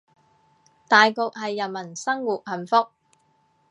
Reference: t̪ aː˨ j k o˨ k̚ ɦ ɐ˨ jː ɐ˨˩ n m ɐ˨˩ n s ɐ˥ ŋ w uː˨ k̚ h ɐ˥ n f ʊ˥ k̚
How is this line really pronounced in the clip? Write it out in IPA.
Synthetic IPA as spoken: t̪ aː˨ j k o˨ k̚ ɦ ɐ˨ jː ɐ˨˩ n m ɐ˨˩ n s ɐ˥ ŋ w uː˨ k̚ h ɐ˨˩ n f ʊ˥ k̚